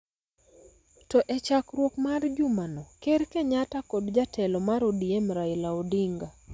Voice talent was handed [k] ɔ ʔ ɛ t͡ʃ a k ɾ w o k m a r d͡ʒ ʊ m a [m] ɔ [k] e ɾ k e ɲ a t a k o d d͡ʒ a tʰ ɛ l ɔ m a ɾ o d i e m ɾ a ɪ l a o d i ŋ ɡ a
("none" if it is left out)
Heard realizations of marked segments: t, n, k

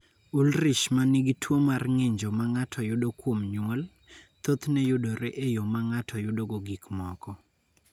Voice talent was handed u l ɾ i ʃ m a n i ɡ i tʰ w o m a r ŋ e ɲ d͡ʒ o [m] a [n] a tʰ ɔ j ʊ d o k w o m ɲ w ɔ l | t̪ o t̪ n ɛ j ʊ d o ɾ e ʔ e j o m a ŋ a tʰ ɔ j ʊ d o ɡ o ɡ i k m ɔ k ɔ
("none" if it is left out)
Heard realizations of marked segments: m, ŋ

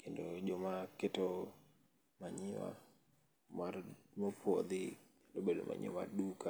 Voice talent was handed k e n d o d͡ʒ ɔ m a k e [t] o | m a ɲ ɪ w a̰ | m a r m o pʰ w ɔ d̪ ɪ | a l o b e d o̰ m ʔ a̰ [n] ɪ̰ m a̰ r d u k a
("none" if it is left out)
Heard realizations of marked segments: t, ɲ

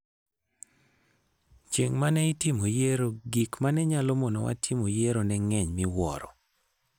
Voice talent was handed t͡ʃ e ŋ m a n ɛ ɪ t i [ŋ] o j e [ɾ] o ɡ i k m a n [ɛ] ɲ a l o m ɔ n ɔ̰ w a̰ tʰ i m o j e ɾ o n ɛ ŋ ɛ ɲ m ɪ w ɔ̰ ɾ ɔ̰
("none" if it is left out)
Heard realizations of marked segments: m, ɾ, ɛ

